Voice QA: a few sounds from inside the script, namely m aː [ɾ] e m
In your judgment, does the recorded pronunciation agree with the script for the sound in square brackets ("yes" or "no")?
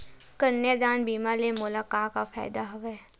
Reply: no